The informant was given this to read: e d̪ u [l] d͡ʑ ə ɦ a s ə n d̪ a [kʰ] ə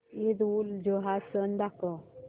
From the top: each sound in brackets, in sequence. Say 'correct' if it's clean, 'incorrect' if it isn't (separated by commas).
correct, incorrect